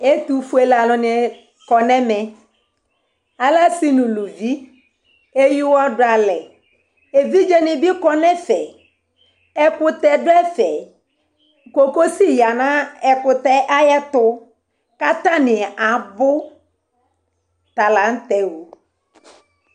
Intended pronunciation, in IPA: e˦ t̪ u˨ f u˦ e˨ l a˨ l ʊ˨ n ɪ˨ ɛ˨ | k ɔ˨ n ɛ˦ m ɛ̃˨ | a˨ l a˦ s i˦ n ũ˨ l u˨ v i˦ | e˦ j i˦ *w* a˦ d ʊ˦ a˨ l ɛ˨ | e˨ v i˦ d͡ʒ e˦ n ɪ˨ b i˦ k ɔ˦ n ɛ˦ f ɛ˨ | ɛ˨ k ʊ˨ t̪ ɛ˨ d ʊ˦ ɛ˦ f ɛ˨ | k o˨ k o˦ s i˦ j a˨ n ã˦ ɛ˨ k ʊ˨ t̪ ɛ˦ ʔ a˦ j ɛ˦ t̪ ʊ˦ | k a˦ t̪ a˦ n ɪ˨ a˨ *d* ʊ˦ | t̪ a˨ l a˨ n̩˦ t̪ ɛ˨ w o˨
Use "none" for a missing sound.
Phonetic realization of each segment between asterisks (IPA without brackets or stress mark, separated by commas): w, b